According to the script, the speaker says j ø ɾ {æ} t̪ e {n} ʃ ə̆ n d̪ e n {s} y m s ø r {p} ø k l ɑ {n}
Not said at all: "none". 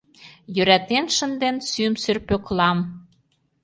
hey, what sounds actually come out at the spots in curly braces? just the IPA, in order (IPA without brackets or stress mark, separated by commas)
æ, n, s, p, m